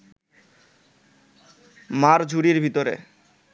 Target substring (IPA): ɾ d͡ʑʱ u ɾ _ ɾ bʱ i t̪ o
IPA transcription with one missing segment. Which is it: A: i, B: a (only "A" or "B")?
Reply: A